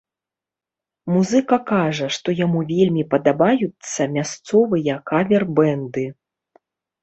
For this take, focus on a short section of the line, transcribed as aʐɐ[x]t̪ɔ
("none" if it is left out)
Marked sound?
ʂ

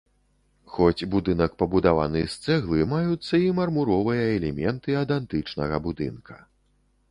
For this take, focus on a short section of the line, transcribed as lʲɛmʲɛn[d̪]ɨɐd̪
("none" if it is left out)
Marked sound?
t̪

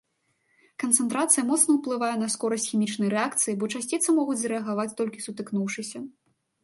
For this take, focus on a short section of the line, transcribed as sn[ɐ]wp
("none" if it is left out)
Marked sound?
ɐ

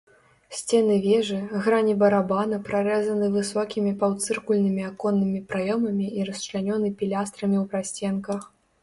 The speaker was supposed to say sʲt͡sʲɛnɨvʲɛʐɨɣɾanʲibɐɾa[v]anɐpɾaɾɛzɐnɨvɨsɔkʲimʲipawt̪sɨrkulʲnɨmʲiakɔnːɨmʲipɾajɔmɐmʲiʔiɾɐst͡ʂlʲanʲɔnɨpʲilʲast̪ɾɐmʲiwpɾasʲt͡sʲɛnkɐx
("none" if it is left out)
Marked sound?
b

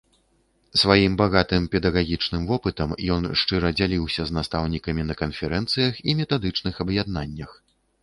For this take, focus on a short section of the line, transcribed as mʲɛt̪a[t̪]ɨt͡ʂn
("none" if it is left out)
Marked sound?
d̪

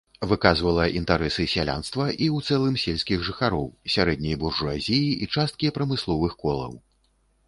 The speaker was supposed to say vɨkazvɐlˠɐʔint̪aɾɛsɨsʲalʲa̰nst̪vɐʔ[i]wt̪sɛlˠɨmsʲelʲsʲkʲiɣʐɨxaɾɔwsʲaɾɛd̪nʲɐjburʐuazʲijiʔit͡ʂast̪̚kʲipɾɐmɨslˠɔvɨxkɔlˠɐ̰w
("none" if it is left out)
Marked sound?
i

